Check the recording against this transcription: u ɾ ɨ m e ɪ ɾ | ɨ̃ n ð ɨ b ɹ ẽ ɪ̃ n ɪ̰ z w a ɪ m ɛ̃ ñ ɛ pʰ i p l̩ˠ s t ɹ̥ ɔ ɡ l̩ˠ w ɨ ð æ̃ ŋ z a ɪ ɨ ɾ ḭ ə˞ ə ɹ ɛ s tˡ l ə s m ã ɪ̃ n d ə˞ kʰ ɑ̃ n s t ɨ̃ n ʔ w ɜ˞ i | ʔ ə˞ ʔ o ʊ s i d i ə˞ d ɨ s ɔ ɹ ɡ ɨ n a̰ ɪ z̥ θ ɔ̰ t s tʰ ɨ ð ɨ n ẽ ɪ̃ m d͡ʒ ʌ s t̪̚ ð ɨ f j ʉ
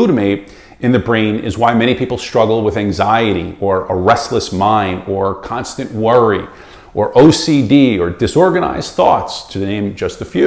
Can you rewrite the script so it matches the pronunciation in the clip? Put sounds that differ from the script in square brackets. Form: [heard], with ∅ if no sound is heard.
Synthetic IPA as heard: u ɾ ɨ m e ɪ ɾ | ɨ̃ n ð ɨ b ɹ ẽ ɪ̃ n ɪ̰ z w a ɪ m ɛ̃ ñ [i] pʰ i p l̩ˠ s t ɹ̥ [ʌ] ɡ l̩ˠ w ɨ ð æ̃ ŋ z a ɪ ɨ ɾ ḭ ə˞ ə ɹ ɛ s tˡ l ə s m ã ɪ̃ n d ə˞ kʰ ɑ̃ n s t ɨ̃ n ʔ w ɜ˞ i | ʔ ə˞ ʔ o ʊ s i d i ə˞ d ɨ s ɔ ɹ ɡ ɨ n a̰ ɪ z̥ θ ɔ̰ t s tʰ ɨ ð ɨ n ẽ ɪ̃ m d͡ʒ ʌ s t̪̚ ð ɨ f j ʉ

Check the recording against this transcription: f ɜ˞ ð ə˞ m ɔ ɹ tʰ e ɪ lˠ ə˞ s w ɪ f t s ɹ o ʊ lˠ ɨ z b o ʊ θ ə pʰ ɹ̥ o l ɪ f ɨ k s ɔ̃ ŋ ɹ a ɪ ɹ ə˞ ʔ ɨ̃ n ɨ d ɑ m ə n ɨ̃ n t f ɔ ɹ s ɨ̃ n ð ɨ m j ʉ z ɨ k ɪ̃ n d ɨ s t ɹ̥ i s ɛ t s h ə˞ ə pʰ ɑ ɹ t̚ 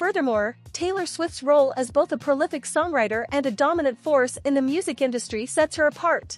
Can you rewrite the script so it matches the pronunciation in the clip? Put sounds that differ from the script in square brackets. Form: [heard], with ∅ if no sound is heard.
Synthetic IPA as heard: f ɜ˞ ð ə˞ m ɔ ɹ tʰ e ɪ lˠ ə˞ s w ɪ f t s ɹ o ʊ lˠ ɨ z b o ʊ θ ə pʰ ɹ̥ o l ɪ f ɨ k s ɔ̃ ŋ ɹ a ɪ [ɾ] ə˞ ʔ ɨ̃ n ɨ d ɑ m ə n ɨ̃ n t f ɔ ɹ s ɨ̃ n ð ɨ m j ʉ z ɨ k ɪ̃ n d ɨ s t ɹ̥ i s ɛ t s h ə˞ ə pʰ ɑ ɹ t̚

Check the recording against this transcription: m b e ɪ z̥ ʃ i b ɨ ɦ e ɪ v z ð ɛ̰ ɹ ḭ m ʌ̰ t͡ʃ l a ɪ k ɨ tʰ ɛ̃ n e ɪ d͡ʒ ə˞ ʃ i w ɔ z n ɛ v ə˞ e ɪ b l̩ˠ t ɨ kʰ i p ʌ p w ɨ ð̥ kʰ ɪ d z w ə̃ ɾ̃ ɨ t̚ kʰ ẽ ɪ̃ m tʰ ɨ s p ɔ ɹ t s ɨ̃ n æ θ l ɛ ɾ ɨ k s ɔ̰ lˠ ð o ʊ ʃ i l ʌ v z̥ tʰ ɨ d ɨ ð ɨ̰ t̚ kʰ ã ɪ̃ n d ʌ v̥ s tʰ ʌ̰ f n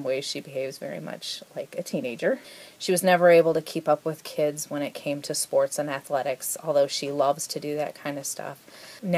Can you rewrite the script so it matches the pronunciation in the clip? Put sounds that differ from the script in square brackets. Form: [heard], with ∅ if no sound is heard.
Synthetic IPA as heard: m [w] e ɪ z̥ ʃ i b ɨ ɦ e ɪ v z [v] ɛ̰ ɹ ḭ m ʌ̰ t͡ʃ l a ɪ k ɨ tʰ [ĩ] n e ɪ d͡ʒ ə˞ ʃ i w [ʌ] z n ɛ v ə˞ e ɪ b l̩ˠ t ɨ kʰ i p ʌ p w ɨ ð̥ kʰ ɪ d z w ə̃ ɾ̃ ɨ t̚ kʰ ẽ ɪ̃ m tʰ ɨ s p ɔ ɹ t s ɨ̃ n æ θ l ɛ ɾ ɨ k s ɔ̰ lˠ ð o ʊ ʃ i l ʌ v z̥ tʰ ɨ d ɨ ð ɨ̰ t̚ kʰ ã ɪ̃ n d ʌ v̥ s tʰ ʌ̰ f n

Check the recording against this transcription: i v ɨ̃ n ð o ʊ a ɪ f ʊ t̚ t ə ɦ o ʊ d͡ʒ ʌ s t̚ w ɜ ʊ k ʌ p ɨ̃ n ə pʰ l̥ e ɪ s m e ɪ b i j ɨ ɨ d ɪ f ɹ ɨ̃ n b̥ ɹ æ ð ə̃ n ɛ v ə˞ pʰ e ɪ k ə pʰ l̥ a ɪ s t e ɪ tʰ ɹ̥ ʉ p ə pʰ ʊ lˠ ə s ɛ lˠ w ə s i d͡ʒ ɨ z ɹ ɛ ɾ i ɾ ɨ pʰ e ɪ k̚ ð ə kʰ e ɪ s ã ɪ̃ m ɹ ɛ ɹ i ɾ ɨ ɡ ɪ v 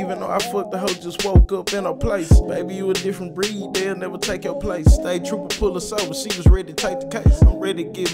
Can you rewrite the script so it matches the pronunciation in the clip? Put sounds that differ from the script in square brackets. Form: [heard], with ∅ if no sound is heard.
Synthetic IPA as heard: i v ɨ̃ n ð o ʊ a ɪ f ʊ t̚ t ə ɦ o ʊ d͡ʒ ʌ s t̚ w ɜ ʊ k ʌ p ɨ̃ n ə pʰ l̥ e ɪ s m e ɪ b i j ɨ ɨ d ɪ f ɹ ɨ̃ n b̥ ɹ [i] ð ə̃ n ɛ v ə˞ [tʰ] e ɪ k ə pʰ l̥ [e] ɪ s t e ɪ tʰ ɹ̥ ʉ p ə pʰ ʊ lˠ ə s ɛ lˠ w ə s i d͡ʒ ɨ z ɹ ɛ ɾ i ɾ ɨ [tʰ] e ɪ k̚ ð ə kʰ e ɪ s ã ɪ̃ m ɹ ɛ [ɾ] i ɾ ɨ ɡ ɪ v

